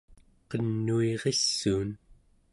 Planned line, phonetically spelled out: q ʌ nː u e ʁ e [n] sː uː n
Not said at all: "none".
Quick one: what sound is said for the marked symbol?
none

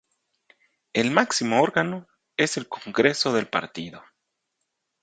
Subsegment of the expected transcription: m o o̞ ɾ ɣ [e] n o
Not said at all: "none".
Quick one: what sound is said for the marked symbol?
a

